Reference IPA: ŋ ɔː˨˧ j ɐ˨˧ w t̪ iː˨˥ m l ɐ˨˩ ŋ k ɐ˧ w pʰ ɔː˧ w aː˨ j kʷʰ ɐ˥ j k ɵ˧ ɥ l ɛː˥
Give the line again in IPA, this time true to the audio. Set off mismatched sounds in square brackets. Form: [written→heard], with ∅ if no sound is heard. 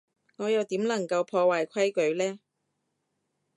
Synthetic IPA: ŋ ɔː˨˧ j ɐ˨˧ w t̪ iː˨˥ m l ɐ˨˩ ŋ k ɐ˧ w pʰ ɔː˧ w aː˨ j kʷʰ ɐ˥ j k [ɵ˧→ɵ˨˥] ɥ l ɛː˥